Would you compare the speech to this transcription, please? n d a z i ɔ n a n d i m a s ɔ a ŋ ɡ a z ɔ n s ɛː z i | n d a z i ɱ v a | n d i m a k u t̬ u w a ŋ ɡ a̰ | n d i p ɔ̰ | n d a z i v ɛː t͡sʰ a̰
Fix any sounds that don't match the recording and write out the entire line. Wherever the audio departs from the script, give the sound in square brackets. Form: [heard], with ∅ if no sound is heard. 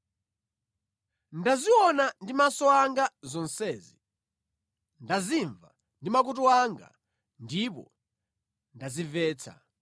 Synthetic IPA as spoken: n d a z i ɔ n a n d i m a s ɔ a ŋ ɡ a z ɔ n s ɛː z i | n d a z i ɱ v a | n d i m a k u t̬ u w a ŋ ɡ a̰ | n d i p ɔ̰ | n d a z i v ɛː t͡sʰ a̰

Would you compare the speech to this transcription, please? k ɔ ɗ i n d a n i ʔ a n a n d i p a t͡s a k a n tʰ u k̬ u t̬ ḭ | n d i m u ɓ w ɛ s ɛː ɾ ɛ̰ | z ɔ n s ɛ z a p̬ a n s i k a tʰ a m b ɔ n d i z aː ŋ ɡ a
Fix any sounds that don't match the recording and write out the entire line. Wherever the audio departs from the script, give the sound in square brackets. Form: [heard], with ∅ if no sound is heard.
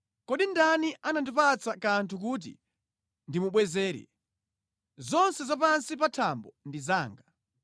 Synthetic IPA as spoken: k ɔ ɗ i n d a n i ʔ a n a n d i p a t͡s a k a n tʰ u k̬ u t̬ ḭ | n d i m u ɓ w ɛ [z] ɛː ɾ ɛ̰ | z ɔ n s ɛ z a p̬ a n s i [p] a tʰ a m b ɔ n d i z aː ŋ ɡ a

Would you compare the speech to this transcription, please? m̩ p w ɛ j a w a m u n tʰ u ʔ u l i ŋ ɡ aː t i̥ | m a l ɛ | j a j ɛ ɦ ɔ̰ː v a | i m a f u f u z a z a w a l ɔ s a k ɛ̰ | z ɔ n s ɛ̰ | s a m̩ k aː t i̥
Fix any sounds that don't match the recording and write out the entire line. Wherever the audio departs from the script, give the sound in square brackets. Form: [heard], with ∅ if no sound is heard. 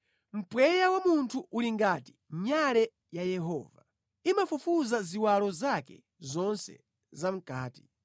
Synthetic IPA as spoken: m̩ p w ɛ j a w a m u n tʰ u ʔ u l i ŋ ɡ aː t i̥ | [ɲ] a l ɛ | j a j ɛ ɦ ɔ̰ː v a | i m a f u f u z a z [i] w a l ɔ [z] a k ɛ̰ | z ɔ n s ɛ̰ | [z] a m̩ k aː t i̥

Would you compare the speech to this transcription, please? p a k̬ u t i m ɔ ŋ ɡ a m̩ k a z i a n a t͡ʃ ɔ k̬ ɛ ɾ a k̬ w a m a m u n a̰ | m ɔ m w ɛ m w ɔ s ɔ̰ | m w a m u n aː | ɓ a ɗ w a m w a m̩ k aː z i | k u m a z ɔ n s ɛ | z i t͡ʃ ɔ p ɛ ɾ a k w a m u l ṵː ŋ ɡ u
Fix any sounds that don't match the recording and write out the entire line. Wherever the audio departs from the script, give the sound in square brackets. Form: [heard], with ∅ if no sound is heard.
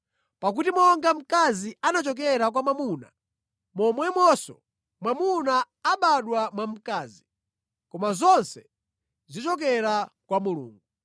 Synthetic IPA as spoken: p a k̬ u t i m ɔ ŋ ɡ a m̩ k a z i a n a t͡ʃ ɔ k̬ ɛ ɾ a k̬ w a m a m u n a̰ | m ɔ m w ɛ m w ɔ s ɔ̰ | m w a m u n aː | ɓ a ɗ w a m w a m̩ k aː z i | k [ɔ] m a z ɔ n s ɛ | z i t͡ʃ ɔ [k] ɛ ɾ a k w a m u l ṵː ŋ ɡ u

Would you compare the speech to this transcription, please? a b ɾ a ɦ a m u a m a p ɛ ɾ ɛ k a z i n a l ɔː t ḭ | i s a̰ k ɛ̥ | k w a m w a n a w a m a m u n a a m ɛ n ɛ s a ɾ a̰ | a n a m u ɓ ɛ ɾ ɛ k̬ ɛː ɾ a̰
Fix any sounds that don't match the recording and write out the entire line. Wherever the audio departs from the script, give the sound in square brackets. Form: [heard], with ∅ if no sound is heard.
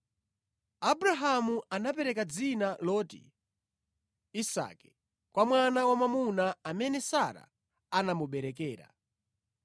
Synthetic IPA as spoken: a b ɾ a ɦ a m u a [n] a p ɛ ɾ ɛ k a [d͡z] i n a l ɔː t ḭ | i s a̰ k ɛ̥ | k w a m w a n a w a m a m u n a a m ɛ n ɛ s a ɾ a̰ | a n a m u ɓ ɛ ɾ ɛ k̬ ɛː ɾ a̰

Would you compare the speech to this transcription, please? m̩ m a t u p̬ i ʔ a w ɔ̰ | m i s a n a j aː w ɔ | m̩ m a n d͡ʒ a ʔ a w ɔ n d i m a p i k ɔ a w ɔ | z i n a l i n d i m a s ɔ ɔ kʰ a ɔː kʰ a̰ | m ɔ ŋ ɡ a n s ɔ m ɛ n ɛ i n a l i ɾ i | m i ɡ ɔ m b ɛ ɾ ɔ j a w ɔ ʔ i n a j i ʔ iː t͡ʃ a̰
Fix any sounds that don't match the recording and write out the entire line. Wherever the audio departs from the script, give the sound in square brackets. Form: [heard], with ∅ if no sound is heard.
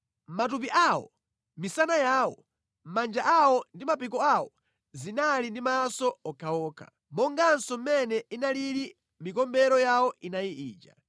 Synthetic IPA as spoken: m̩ m a t u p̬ i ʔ a w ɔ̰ | m i s a n a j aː w ɔ | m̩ m a n d͡ʒ a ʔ a w ɔ n d i m a p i k ɔ a w ɔ | z i n a l i n d i m a s ɔ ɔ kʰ a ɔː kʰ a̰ | m ɔ ŋ ɡ a n s ɔ m ɛ n ɛ i n a l i ɾ i | m i [k] ɔ m b ɛ ɾ ɔ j a w ɔ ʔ i n a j i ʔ iː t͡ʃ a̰

